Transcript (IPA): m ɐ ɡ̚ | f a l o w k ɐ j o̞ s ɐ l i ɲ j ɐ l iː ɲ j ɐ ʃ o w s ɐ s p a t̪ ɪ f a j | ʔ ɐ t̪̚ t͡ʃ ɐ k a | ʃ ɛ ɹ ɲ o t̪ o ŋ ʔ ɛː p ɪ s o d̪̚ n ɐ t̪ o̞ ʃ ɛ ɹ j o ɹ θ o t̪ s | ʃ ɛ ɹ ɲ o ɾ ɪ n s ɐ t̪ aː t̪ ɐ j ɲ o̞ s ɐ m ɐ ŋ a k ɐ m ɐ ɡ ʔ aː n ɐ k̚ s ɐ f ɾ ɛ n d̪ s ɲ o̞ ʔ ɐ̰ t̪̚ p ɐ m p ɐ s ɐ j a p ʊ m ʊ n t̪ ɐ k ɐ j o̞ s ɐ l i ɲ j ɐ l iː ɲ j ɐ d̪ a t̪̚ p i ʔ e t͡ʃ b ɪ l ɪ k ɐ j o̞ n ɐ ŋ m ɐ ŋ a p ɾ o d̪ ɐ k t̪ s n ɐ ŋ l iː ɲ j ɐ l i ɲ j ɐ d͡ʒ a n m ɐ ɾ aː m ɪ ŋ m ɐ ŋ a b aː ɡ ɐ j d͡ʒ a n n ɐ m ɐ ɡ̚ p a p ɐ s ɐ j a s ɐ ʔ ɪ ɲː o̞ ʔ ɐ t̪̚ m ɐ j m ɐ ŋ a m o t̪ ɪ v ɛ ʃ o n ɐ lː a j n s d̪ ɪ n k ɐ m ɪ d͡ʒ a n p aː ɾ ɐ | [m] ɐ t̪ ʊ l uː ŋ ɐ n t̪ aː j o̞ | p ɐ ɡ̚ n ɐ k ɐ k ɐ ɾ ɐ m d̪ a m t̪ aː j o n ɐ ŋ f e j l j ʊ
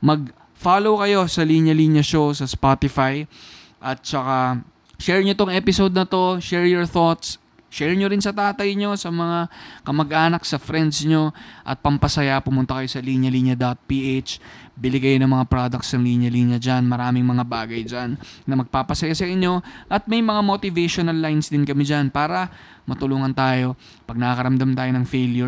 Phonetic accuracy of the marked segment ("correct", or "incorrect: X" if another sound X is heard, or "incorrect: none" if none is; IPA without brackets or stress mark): correct